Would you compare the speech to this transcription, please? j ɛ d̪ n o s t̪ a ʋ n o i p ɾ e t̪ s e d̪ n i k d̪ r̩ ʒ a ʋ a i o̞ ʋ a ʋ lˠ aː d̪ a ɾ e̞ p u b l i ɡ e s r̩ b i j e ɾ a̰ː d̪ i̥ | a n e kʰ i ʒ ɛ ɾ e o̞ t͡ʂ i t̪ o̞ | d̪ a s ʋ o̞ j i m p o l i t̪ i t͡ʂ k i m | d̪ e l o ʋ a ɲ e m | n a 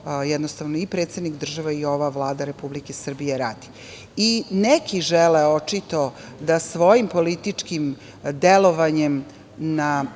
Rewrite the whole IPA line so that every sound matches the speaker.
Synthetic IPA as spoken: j ɛ d̪ n o s t̪ a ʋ n o i p ɾ e t̪ s e d̪ n i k d̪ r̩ ʒ a ʋ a i o̞ ʋ a ʋ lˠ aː d̪ a ɾ e̞ p u b l i k e s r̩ b i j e ɾ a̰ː d̪ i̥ | i n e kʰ i ʒ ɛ l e o̞ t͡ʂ i t̪ o̞ | d̪ a s ʋ o̞ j i m p o l i t̪ i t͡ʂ k i m | d̪ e l o ʋ a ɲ e m | n a